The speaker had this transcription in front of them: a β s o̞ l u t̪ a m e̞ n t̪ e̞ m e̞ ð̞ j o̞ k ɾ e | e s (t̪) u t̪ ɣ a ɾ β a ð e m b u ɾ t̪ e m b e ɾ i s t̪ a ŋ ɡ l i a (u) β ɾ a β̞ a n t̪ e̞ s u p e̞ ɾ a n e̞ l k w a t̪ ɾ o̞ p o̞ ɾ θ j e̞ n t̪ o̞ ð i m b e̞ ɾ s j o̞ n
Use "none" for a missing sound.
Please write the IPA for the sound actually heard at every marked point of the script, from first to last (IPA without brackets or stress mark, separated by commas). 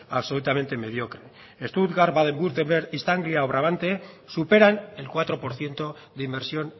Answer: t̪, o